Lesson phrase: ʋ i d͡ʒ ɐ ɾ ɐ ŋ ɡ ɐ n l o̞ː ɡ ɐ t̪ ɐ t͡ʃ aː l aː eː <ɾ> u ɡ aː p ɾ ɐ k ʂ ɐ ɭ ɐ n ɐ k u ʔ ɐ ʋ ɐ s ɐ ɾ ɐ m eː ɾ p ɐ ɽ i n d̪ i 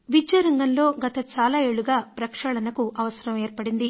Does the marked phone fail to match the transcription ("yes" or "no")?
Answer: yes